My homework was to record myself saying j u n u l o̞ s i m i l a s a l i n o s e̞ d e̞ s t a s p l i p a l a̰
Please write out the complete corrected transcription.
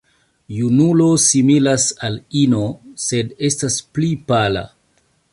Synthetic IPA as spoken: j u n u l o̞ s i m i l a s a l i n o s e̞ d e̞ s t a s p l i p a l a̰